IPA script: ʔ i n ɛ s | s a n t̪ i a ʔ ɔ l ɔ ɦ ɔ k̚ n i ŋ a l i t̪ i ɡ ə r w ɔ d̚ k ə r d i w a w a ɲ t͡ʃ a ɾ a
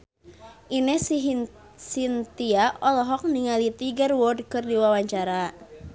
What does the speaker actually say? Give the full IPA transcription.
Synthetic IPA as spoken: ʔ i n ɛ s | s i n t̪ i a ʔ ɔ l ɔ ɦ ɔ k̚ n i ŋ a l i t̪ i ɡ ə r w ɔ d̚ k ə r d i w a w a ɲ t͡ʃ a ɾ a